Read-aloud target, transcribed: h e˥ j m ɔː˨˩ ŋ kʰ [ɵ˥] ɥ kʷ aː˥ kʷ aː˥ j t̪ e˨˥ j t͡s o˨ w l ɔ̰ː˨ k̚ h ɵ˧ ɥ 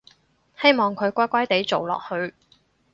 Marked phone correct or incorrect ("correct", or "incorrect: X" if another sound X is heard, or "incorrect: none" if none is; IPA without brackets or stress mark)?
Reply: incorrect: ɵ˨˧